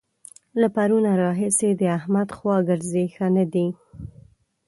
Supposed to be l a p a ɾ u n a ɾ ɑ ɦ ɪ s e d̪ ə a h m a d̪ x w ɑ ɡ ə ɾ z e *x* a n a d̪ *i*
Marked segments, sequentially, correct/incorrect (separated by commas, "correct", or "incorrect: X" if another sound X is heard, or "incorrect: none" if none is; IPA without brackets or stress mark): correct, correct